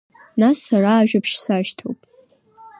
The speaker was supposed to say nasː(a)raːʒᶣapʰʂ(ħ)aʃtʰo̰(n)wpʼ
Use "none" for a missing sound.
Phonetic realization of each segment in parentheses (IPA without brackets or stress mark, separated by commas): a, s, none